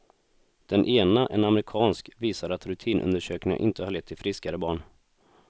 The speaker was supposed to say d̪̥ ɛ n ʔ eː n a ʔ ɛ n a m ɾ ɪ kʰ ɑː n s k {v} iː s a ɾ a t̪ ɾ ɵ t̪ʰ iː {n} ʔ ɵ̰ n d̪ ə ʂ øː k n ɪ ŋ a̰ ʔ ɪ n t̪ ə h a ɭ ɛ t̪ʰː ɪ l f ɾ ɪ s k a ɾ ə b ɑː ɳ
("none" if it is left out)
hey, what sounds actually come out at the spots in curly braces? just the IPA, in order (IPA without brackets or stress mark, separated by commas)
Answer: v, n